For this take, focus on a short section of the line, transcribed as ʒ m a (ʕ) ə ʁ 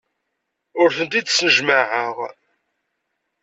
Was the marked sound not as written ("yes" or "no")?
no